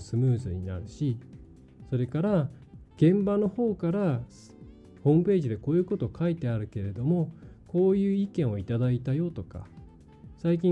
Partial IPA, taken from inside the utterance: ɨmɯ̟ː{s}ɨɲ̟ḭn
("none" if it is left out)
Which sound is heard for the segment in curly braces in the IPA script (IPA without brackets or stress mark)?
z